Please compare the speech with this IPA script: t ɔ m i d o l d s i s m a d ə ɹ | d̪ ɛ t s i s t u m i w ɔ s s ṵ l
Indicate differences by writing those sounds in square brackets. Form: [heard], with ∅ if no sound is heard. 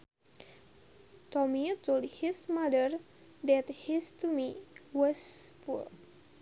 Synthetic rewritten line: t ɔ m i [t] o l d [h] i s m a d ə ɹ | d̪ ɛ t [h] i s t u m i w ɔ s [f] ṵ l